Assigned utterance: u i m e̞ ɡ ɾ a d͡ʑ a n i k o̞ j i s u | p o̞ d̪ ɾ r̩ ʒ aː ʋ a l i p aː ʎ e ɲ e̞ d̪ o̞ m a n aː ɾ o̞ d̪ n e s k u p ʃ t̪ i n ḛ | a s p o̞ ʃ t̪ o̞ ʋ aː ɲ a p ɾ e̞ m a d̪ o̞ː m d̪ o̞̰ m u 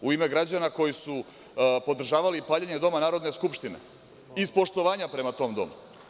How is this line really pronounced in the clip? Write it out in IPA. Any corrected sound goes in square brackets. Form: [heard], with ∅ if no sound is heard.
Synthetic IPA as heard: u i m e̞ ɡ ɾ a d͡ʑ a n [a] k o̞ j i s u | p o̞ d̪ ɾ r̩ ʒ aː ʋ a l i p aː ʎ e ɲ e̞ d̪ o̞ m a n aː ɾ o̞ d̪ n e s k u p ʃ t̪ i n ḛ | [i] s p o̞ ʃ t̪ o̞ ʋ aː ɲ a p ɾ e̞ m a [t̪] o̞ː m d̪ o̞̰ m u